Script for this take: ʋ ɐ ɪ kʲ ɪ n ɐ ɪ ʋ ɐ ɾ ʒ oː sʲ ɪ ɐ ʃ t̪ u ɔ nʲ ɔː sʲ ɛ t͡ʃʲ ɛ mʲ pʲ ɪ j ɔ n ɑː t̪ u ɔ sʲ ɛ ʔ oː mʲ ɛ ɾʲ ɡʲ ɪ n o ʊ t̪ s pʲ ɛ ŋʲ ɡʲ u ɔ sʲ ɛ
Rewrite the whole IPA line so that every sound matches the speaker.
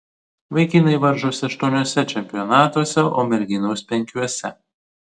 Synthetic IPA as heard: ʋ ɐ ɪ kʲ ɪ n ɐ ɪ ʋ ɐ ɾ ʒ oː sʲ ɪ ɐ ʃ t̪ u ɔ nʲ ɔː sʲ ɛ t͡ʃʲ ɛ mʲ pʲ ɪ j ɔ n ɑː t̪ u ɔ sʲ ɛ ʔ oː mʲ ɛ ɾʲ ɡʲ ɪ n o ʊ s pʲ ɛ ŋʲ kʲ u ɔ sʲ ɛ